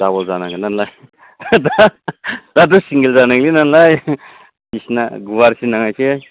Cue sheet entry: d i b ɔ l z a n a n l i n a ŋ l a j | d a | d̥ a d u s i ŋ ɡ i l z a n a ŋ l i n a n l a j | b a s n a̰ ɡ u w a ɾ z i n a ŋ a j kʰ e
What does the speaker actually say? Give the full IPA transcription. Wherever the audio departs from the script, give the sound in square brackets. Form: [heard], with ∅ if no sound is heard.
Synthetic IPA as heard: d [a] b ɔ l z a n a [ŋ] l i n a [n] l a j | d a | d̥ a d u s i ŋ ɡ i l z a n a ŋ l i n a n l a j | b [i] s n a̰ ɡ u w a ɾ [s] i n a ŋ a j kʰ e